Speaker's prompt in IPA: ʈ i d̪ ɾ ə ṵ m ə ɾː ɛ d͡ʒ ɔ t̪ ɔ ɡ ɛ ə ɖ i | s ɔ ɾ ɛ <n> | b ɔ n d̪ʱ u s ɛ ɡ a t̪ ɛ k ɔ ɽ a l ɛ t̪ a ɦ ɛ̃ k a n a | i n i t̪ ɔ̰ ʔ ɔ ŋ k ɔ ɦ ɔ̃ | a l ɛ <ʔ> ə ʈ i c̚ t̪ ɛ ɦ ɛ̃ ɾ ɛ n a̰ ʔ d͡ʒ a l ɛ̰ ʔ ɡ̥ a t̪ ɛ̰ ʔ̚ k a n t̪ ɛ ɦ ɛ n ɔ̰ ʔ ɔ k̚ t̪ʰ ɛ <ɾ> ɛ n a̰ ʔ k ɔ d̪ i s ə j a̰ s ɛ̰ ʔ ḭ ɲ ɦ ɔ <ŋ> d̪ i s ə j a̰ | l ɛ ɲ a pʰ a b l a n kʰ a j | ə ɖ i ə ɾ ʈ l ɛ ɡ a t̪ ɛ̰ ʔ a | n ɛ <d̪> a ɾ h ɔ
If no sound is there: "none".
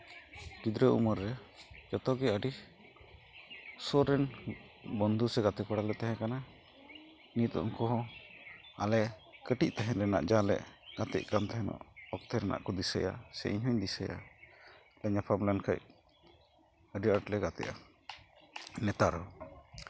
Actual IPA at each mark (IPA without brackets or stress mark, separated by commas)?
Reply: n, k, ɾ, ɲ, t̪